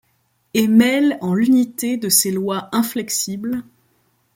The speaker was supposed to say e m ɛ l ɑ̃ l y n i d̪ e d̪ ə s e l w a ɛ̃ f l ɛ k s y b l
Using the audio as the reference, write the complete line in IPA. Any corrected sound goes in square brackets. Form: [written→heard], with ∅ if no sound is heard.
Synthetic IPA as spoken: e m ɛ l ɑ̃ l y n i [d̪→t̪] e d̪ ə s e l w a ɛ̃ f l ɛ k s [y→i] b l